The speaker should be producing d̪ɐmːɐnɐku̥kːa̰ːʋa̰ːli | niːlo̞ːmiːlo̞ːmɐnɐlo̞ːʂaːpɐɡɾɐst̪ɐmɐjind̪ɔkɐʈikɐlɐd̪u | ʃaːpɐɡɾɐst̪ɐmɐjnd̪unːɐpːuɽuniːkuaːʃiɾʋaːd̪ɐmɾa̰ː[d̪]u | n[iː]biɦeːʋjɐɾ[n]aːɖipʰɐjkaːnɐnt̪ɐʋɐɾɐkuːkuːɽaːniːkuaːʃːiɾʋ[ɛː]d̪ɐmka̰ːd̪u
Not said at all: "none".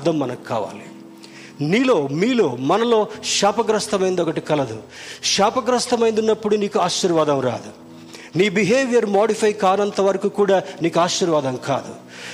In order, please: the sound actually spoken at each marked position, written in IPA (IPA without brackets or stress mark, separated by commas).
d̪, iː, m, aː